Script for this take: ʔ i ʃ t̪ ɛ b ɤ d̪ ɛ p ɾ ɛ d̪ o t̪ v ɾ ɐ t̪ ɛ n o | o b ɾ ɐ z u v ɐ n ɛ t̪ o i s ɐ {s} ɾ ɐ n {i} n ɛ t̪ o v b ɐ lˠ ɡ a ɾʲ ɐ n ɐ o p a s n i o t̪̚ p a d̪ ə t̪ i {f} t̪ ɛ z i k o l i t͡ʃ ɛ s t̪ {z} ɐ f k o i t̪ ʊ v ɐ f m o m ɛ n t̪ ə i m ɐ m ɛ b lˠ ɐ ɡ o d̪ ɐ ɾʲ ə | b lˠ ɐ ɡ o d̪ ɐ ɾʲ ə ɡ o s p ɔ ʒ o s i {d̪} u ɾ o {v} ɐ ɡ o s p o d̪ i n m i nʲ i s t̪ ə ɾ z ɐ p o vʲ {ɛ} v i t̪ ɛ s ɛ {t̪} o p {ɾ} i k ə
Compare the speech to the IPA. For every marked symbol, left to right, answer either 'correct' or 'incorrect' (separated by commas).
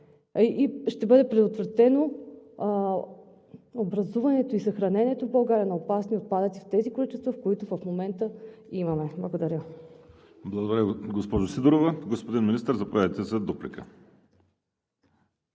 incorrect, incorrect, correct, incorrect, correct, correct, incorrect, incorrect, incorrect